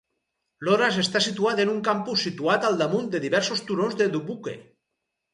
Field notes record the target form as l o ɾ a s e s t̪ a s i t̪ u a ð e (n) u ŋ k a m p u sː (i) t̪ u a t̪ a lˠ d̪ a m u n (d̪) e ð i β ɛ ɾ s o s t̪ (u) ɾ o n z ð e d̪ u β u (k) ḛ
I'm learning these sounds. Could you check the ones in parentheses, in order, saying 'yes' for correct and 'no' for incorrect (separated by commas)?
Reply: yes, yes, yes, yes, yes